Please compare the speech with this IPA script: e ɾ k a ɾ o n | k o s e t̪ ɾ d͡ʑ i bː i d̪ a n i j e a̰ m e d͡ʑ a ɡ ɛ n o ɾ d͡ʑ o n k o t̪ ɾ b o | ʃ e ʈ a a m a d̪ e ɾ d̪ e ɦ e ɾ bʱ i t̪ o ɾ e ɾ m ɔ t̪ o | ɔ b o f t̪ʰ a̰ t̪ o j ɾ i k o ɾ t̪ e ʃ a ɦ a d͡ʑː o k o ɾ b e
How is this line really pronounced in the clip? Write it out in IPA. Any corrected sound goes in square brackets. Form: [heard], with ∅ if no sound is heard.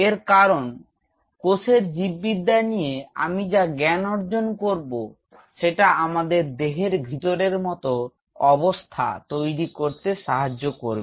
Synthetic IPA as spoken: e ɾ k a ɾ o n | k o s e [∅] ɾ d͡ʑ i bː i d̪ a n i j e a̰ m [i] d͡ʑ a ɡ ɛ n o ɾ d͡ʑ o n k o [∅] ɾ b o | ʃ e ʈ a a m a d̪ e ɾ d̪ e ɦ e ɾ bʱ i t̪ o ɾ e ɾ m ɔ t̪ o | ɔ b o [s] t̪ʰ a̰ t̪ o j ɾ i k o ɾ t̪ e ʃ a ɦ a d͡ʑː o k o ɾ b e